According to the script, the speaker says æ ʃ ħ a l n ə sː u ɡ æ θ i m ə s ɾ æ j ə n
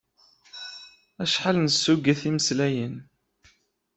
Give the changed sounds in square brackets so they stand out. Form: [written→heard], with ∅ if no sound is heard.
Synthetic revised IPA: æ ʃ ħ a l n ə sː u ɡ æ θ i m ə s [ɾ→l] æ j ə n

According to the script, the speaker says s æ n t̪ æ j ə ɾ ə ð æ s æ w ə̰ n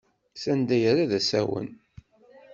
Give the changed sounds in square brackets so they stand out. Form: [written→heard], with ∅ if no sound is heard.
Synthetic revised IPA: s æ n [t̪→d̪] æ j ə ɾ [ə→a] ð æ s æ w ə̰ n

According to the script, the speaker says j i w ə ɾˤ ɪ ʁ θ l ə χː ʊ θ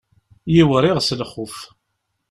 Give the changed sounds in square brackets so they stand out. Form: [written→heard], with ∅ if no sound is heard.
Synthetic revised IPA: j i w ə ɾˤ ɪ ʁ [θ→s] l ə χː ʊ [θ→f]

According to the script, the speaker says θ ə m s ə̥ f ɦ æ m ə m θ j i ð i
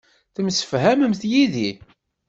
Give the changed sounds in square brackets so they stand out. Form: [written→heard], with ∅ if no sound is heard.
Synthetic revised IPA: θ ə m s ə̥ f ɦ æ m ə m θ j i ð i

